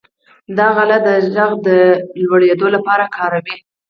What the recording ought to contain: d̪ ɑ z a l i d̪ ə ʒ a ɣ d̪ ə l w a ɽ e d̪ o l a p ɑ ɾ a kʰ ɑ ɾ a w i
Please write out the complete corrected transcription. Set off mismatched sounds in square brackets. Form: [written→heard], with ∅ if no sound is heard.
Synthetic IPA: d̪ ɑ [z→ɣ] a l [i→a] d̪ ə ʒ a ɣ d̪ ə l w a ɽ e d̪ o l a p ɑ ɾ a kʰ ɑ ɾ a w i

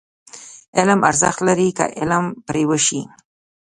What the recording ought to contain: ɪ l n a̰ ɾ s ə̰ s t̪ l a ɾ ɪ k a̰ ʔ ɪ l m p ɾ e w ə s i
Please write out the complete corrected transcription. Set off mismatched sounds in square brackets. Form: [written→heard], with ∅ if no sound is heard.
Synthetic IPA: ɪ l [n→m] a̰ ɾ [s→z] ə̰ [s→x] t̪ l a ɾ [ɪ→i] k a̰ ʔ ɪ l m p ɾ e w ə [s→ʃ] i

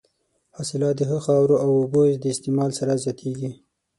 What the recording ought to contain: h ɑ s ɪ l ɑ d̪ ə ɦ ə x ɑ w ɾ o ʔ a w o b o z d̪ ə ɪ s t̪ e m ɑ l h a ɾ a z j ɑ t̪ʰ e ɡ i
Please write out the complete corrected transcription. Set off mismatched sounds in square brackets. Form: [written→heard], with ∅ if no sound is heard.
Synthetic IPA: h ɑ s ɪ l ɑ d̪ ə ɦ ə x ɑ w ɾ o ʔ a w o b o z d̪ ə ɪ s t̪ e m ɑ l [h→s] a ɾ a z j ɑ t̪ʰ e ɡ i

